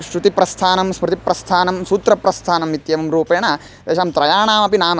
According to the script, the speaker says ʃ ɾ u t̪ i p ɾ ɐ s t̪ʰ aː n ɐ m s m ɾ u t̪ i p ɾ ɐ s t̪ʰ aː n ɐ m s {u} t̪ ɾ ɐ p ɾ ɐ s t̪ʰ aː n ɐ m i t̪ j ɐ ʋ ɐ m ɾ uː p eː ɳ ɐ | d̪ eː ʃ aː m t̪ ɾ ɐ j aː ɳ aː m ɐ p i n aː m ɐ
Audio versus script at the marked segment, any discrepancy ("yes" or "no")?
yes